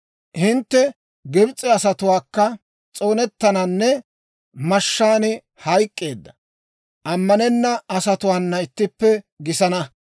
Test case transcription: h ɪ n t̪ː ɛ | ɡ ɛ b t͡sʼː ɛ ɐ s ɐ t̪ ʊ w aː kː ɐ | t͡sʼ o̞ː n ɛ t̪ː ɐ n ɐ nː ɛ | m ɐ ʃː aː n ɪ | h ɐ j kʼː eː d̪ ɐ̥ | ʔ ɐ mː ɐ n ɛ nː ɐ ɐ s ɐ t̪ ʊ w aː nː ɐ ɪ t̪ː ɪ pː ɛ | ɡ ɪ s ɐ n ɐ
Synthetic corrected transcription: h ɪ n t̪ː ɛ | ɡ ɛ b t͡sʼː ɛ ɐ s ɐ t̪ ʊ w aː kː ɐ | t͡sʼ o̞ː n ɛ t̪ː ɐ n ɐ nː ɛ | m ɐ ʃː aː n ɪ | h ɐ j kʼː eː d̪ː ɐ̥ | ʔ ɐ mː ɐ n ɛ nː ɐ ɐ s ɐ t̪ ʊ w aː nː ɐ ɪ t̪ː ɪ pː ɛ | ɡ ɪ s ɐ n ɐ